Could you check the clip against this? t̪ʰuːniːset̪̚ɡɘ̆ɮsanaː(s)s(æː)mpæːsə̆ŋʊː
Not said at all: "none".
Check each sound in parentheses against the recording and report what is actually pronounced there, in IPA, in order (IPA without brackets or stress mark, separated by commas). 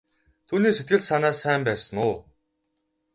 s, æː